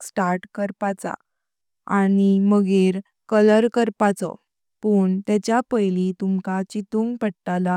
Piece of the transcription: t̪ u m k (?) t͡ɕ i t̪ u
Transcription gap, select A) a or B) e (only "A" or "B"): A